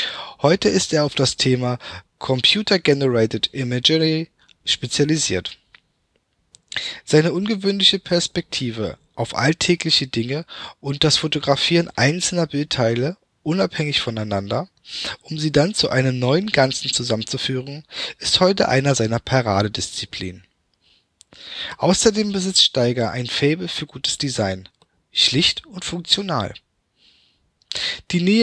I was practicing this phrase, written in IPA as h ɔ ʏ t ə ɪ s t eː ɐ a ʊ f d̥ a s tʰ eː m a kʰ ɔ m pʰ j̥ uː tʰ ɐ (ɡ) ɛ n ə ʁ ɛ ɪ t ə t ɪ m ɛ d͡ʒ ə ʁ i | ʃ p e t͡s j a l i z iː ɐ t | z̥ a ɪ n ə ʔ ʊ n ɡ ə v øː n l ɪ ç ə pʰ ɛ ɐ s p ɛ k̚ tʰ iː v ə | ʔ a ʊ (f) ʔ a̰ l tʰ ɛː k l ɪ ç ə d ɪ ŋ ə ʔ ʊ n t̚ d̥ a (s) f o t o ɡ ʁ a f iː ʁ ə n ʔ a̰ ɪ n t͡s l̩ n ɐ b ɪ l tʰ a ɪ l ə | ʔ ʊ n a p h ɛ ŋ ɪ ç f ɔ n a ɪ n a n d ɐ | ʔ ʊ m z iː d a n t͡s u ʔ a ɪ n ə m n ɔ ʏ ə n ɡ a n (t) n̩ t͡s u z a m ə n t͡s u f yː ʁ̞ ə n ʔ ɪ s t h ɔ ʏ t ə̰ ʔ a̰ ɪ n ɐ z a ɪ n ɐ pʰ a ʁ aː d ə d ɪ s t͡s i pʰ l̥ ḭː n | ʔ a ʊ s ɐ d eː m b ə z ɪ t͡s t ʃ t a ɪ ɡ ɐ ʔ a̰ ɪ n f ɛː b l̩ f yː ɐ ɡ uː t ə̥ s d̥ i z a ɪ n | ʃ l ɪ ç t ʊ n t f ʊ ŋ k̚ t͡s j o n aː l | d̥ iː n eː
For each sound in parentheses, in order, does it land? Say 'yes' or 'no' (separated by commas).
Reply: yes, yes, yes, no